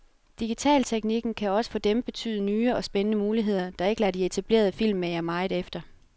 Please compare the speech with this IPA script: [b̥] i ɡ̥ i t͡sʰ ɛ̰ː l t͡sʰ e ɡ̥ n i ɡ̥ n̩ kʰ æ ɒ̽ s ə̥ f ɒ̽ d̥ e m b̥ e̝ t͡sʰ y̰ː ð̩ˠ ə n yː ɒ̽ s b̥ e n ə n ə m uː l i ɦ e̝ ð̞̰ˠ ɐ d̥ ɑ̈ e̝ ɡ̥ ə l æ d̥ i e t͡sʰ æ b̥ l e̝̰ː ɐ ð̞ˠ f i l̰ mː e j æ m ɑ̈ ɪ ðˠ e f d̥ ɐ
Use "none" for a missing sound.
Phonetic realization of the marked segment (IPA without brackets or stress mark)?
d̥